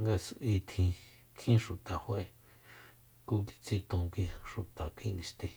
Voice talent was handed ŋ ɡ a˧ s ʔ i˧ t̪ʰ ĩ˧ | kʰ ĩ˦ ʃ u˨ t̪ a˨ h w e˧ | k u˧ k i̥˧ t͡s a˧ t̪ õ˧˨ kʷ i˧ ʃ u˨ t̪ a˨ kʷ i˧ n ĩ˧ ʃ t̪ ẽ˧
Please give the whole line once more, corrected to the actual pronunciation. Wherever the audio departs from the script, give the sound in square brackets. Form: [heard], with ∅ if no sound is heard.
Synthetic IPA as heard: ŋ ɡ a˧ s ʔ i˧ t̪ʰ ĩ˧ | kʰ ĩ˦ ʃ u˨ t̪ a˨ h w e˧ | k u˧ k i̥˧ t͡s [i˧] t̪ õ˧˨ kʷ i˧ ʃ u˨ t̪ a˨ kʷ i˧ n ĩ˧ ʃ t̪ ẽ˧